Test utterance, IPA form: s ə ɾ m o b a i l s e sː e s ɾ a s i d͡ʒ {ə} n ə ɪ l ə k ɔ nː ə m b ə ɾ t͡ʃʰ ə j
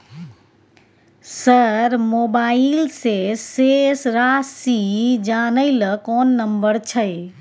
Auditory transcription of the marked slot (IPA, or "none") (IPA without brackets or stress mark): a